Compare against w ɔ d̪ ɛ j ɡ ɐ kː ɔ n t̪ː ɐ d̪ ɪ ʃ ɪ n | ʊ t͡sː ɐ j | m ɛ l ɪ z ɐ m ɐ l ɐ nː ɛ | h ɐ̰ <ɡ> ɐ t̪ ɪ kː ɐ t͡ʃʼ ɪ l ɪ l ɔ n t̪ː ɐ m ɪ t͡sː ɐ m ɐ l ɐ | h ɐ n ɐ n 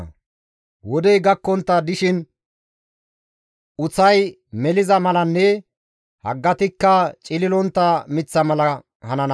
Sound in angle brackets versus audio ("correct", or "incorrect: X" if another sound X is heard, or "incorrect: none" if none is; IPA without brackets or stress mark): incorrect: ɡː